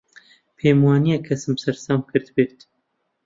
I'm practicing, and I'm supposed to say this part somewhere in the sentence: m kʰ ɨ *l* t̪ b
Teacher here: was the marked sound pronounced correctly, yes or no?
no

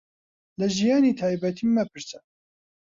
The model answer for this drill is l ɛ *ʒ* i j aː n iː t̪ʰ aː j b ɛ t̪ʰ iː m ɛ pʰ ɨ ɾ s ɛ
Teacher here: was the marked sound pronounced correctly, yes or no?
yes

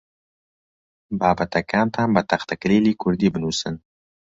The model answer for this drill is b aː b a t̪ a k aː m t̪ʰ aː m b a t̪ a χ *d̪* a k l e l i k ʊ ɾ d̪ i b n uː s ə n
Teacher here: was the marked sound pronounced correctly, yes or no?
no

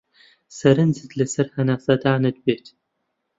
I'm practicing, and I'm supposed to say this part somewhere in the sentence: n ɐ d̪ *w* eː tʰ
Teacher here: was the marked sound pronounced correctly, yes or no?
no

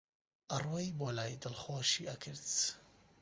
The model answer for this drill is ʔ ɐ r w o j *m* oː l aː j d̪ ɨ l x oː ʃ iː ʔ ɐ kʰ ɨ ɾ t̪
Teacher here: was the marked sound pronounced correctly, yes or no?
no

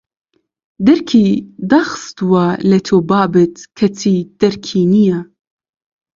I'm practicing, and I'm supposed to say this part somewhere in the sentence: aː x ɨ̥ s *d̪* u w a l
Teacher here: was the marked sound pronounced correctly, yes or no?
no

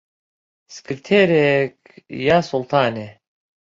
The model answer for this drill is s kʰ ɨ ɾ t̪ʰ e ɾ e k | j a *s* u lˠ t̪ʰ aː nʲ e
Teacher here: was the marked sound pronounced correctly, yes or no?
yes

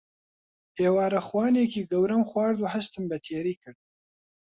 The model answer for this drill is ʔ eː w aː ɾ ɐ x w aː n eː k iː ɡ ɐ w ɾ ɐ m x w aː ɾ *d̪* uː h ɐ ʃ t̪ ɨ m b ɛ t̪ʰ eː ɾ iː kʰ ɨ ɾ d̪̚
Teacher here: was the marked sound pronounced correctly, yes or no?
yes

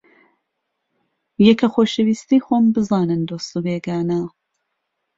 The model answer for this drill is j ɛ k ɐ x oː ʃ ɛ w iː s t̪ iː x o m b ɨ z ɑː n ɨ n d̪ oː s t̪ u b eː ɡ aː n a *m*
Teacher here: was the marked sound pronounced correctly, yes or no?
no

